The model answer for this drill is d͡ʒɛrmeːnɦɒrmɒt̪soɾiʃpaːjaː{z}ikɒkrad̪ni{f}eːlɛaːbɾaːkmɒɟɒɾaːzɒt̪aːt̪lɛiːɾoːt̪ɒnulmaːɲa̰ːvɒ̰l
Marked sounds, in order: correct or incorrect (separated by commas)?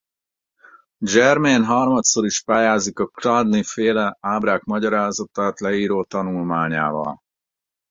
correct, correct